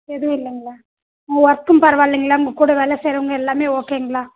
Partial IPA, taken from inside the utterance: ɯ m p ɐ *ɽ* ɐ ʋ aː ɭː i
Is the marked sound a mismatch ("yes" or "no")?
yes